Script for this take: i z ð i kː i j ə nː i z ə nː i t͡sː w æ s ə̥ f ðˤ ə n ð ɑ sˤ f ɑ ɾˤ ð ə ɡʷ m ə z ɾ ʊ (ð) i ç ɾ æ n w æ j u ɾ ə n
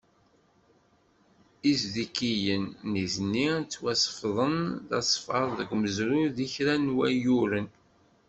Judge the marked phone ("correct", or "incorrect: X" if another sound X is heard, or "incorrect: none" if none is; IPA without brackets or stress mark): correct